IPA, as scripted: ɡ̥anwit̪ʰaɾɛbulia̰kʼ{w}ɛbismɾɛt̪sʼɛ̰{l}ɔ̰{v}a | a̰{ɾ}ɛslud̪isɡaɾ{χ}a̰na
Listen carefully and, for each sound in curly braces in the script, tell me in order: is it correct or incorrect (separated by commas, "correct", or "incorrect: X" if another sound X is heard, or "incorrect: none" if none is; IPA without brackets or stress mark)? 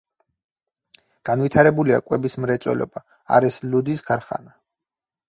correct, correct, incorrect: b, correct, correct